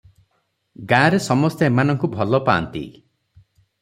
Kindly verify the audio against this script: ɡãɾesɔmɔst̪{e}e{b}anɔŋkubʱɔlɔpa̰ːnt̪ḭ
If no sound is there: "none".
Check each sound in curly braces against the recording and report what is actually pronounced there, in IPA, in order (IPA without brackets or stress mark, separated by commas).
e, m